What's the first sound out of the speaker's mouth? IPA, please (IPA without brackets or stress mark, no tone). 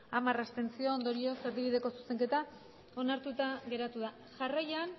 a